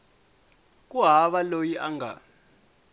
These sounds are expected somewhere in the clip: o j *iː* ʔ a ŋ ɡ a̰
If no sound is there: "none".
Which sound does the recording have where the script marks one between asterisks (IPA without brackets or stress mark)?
i